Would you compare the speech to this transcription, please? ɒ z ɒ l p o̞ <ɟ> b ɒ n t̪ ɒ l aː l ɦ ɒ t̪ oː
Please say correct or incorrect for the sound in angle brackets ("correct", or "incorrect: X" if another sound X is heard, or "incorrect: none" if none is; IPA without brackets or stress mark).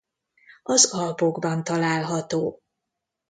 incorrect: ɡ